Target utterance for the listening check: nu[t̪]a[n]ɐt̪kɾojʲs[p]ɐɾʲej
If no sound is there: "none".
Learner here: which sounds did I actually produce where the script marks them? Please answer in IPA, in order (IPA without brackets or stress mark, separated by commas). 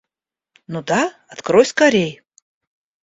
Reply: d̪, none, k